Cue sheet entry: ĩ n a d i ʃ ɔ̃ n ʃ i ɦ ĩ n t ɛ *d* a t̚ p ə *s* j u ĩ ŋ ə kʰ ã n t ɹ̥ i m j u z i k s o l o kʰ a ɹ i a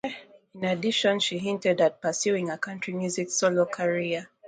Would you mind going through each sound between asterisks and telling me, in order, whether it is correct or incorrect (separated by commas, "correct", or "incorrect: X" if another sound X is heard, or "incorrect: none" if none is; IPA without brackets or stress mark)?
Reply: correct, correct